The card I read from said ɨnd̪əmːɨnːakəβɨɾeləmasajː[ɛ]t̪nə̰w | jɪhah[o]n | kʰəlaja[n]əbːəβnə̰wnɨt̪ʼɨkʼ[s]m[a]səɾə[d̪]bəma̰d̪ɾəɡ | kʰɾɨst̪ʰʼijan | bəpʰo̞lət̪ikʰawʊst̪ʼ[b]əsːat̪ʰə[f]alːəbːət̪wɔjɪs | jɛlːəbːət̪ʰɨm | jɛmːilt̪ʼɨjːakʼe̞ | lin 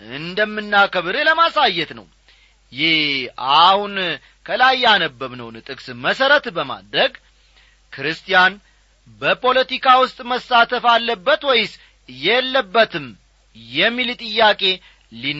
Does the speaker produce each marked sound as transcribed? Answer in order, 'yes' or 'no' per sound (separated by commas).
yes, no, yes, yes, no, no, no, yes